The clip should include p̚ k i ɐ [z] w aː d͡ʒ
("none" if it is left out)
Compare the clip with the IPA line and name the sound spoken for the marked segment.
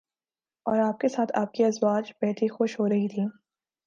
z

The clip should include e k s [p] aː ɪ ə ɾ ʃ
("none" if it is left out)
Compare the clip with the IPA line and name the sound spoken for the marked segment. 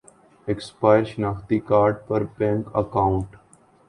p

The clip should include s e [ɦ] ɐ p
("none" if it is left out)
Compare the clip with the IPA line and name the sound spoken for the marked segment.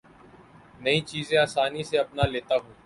none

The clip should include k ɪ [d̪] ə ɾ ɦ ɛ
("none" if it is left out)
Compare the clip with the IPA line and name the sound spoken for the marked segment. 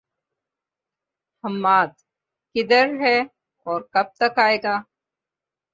d̪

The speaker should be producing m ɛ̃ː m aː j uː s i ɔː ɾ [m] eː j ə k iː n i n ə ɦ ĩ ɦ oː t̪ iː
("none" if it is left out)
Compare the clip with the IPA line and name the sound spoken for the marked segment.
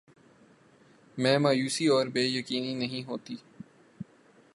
b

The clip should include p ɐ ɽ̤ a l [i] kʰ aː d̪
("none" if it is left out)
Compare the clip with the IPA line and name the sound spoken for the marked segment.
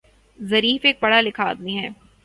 ɪ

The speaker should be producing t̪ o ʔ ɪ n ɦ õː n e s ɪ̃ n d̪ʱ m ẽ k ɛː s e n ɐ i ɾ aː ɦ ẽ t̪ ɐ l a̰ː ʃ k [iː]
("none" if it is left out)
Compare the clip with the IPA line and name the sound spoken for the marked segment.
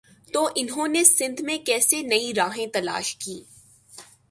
iː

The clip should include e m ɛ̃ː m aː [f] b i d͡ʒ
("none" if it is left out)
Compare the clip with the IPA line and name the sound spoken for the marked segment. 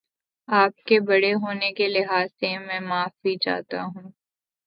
f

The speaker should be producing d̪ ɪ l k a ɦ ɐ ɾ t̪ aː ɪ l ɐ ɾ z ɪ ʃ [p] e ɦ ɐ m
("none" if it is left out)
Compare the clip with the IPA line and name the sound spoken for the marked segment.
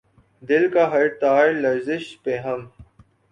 p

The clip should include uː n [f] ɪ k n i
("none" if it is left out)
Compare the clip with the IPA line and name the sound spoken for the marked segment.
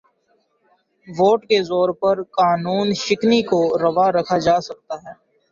ʃ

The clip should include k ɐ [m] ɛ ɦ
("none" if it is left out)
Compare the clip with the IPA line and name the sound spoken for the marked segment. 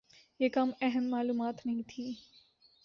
m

